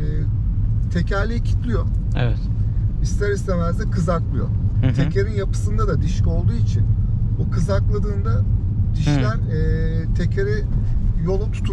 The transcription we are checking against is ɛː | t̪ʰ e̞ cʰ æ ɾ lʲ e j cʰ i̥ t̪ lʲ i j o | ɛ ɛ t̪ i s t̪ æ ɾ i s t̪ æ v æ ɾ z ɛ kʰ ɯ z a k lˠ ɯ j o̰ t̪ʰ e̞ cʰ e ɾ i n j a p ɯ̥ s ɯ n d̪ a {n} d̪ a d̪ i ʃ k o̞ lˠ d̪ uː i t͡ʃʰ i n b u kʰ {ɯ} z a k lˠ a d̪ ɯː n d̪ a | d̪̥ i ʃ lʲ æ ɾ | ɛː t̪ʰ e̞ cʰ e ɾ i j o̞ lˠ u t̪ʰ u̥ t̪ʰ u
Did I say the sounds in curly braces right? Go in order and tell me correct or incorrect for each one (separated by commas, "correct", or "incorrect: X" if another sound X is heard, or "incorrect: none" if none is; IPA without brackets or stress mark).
incorrect: none, correct